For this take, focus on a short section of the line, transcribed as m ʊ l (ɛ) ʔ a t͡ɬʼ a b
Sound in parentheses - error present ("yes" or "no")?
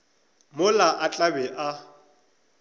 yes